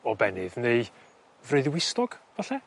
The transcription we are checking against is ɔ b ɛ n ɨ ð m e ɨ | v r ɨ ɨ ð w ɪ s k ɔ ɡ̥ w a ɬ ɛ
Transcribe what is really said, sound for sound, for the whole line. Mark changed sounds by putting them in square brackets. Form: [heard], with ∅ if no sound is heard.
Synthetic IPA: ɔ b ɛ n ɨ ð [n] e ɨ | v r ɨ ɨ ð w ɪ s [t] ɔ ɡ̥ [v] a ɬ ɛ